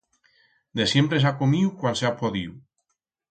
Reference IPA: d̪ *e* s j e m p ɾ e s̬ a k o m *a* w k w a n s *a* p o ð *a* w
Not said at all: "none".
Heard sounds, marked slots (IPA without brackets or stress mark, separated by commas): e, i, a, i